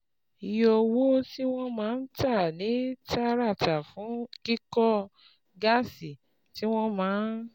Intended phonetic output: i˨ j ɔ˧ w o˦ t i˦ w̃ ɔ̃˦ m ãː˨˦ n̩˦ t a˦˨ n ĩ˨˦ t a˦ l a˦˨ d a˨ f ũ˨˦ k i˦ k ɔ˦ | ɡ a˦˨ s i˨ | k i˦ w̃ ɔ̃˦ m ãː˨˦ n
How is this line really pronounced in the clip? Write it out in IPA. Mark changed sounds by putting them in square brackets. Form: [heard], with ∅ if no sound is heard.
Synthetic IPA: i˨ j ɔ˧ w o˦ t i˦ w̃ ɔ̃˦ m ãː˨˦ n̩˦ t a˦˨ n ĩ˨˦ t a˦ [ɾ] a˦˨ [t] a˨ f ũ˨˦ k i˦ k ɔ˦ | ɡ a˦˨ s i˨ | [t] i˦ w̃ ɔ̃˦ m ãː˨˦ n